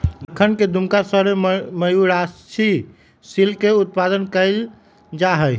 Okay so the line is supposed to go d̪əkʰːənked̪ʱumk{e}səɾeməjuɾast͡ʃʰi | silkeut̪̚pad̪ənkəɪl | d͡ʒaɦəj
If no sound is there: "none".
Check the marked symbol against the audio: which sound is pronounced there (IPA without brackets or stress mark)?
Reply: a